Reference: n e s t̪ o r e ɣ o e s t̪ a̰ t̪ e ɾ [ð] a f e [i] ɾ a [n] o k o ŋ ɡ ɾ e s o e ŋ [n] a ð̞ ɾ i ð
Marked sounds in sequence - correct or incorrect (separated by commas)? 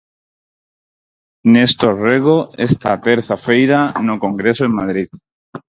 incorrect, incorrect, correct, incorrect